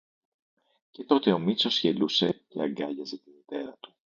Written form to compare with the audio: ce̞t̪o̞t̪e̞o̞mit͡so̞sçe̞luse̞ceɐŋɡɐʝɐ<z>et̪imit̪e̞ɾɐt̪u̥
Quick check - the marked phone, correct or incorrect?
correct